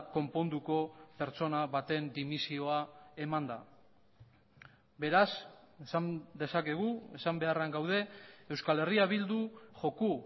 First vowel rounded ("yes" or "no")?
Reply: yes